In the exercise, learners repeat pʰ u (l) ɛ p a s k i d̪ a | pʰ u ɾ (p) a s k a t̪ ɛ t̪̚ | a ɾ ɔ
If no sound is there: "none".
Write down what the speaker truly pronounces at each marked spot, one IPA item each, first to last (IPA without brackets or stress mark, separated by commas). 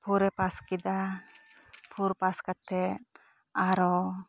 ɾ, p